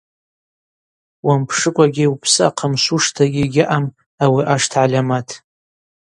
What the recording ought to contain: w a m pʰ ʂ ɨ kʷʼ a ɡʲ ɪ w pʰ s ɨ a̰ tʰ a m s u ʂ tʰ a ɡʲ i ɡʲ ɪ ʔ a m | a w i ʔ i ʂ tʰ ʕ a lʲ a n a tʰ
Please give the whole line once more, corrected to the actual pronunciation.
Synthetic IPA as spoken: w a m pʰ ʂ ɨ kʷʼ a ɡʲ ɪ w pʰ s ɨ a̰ qʰ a m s u ʂ tʰ a ɡʲ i ɡʲ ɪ ʔ a m | a w i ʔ a ʂ tʰ ʕ a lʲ a m a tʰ